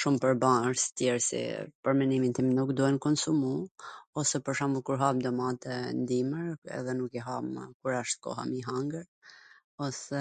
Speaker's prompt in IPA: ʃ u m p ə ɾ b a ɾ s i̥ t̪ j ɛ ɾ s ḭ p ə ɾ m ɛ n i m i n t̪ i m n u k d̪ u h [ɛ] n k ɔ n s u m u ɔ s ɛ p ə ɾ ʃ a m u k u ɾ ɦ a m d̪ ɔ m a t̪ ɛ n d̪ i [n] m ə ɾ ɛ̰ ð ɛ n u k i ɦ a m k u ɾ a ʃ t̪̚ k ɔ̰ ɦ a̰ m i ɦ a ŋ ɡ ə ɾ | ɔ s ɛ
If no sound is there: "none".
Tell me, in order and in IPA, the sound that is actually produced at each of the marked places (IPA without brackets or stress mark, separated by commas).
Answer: ɛ, none